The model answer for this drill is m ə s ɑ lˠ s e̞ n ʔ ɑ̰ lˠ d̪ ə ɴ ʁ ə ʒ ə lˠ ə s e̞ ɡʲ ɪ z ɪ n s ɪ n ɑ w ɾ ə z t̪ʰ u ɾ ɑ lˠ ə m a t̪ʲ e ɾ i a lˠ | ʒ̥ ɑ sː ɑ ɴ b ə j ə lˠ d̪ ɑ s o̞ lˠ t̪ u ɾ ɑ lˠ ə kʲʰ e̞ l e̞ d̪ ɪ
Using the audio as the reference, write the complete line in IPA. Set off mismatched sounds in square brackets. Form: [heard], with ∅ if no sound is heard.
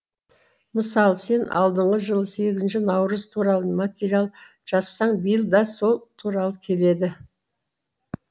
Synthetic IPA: m ə s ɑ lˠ s e̞ n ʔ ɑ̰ lˠ d̪ ə ɴ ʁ ə ʒ ə lˠ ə s e̞ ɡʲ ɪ z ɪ n [ʃ] ɪ n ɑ w ɾ ə z t̪ʰ u ɾ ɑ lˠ ə m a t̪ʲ e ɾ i a lˠ | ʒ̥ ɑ sː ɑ ɴ b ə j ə lˠ d̪ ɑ s o̞ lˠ [t̪ʰ] u ɾ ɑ lˠ ə kʲʰ e̞ l e̞ d̪ ɪ